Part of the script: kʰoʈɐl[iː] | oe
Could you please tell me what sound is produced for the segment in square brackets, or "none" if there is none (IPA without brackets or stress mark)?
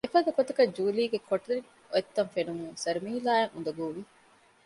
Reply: i